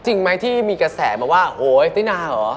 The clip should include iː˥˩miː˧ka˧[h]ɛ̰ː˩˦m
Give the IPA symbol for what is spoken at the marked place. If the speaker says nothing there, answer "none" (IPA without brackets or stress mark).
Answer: s